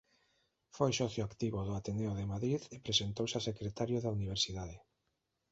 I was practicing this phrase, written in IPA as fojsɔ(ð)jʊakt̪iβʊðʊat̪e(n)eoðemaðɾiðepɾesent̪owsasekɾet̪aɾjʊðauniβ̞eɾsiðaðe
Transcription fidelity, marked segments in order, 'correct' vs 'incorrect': incorrect: θ, correct

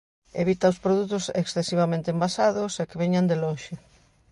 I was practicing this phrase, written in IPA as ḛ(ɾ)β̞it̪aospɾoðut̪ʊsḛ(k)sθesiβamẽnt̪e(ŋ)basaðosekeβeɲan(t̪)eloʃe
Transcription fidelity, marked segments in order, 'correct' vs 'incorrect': incorrect: none, correct, incorrect: m, incorrect: d̪

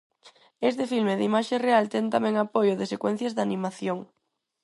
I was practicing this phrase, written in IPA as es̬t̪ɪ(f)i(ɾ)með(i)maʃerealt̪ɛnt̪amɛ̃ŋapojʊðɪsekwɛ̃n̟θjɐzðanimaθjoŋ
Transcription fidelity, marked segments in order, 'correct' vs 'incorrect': correct, incorrect: l, correct

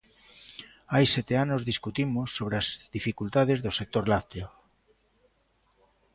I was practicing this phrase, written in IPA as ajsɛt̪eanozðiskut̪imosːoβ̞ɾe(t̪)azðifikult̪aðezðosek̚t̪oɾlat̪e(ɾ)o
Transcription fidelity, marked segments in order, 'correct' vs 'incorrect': incorrect: none, incorrect: none

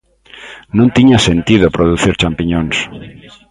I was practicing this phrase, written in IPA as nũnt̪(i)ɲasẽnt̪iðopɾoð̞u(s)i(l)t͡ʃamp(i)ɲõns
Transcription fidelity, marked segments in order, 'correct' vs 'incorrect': correct, incorrect: θ, incorrect: ɾ, correct

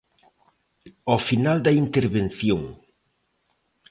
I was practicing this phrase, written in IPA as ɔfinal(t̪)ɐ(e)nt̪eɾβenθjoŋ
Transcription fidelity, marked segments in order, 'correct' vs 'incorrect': incorrect: d̪, incorrect: i

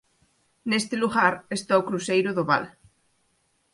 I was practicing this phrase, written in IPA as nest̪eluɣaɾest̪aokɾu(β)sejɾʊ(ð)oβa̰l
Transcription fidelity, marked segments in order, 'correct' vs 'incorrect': incorrect: none, correct

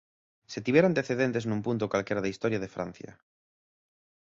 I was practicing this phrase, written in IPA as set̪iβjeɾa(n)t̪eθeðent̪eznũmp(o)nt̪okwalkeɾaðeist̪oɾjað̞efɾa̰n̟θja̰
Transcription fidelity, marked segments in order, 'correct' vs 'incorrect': correct, incorrect: u

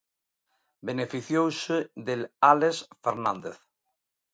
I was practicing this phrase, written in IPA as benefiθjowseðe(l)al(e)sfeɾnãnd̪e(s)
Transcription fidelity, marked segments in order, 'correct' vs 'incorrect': correct, correct, incorrect: θ

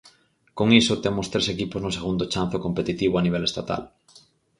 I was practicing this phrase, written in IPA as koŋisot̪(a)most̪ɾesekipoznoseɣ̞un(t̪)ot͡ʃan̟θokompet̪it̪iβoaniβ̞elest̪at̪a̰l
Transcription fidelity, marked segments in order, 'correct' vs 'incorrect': incorrect: e, incorrect: d̪

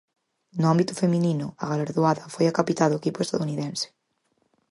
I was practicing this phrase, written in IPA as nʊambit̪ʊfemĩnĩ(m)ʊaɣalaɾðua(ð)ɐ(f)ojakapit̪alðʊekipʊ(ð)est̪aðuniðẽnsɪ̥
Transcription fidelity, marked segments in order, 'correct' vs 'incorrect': incorrect: n, correct, correct, incorrect: none

